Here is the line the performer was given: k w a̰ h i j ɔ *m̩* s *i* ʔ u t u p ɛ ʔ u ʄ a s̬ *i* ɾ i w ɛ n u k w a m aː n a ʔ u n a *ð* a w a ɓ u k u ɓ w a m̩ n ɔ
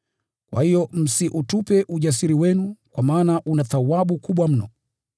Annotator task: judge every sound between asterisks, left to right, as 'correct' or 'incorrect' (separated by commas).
correct, correct, correct, incorrect